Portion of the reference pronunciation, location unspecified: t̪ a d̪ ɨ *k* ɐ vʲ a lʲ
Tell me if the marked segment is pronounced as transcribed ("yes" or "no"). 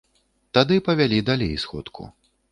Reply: no